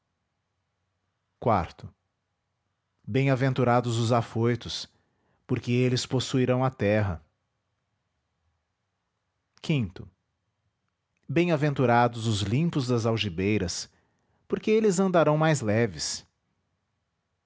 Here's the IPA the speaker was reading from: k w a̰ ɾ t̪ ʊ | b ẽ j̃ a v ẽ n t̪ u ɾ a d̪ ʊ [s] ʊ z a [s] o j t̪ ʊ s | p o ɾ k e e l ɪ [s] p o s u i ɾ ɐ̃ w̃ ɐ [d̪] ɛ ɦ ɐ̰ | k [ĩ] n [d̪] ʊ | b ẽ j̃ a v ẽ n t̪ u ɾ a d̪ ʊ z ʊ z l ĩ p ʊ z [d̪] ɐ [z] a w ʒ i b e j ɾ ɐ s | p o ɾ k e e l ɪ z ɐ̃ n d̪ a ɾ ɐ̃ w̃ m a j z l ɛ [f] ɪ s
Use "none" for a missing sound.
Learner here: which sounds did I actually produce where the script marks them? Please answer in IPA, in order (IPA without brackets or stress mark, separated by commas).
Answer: z, f, s, t̪, ĩ, t̪, d̪, z, v